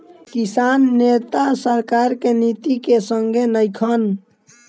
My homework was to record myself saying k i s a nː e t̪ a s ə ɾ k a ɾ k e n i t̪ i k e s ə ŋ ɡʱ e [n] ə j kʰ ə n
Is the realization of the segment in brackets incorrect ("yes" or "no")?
no